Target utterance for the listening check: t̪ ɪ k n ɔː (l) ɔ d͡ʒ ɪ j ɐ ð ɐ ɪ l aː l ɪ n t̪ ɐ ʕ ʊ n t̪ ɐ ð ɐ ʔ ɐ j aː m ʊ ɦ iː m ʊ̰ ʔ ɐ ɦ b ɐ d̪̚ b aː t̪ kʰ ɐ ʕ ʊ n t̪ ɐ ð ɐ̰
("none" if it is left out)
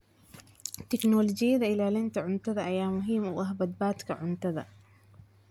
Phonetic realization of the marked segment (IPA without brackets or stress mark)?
l